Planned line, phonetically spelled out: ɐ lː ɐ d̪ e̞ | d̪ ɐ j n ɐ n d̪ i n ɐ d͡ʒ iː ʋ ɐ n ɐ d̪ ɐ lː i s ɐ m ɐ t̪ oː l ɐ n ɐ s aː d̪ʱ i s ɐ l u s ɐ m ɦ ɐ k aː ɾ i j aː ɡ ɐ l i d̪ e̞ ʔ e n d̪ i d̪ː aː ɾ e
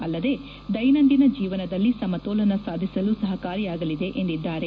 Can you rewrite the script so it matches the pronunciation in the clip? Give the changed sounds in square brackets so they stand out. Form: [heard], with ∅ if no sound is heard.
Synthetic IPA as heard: ɐ lː ɐ d̪ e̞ | d̪ ɐ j n ɐ n d̪ i n ɐ d͡ʒ iː ʋ ɐ n ɐ d̪ ɐ lː i s ɐ m ɐ t̪ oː l ɐ n ɐ s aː d̪ʱ i s ɐ l u s ɐ [∅] ɦ ɐ k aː ɾ i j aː ɡ ɐ l i d̪ e̞ ʔ e n d̪ i d̪ː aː ɾ e